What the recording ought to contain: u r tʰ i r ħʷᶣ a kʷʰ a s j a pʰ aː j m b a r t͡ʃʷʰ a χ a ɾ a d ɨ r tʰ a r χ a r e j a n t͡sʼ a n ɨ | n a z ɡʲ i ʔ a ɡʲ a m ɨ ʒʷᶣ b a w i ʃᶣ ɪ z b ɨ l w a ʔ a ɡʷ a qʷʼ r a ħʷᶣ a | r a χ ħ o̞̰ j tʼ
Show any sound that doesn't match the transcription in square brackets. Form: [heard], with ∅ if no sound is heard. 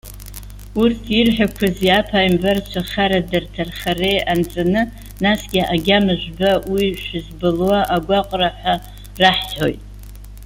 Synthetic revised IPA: u r tʰ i r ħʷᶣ a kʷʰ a [z] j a pʰ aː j m b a r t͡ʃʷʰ a χ a ɾ a d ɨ r tʰ a r χ a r e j a n t͡sʼ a n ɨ | n a [s] ɡʲ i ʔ a ɡʲ a m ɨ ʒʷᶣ b a w i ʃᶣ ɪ z b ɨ l w a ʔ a ɡʷ a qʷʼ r a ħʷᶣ a | r a [ħ] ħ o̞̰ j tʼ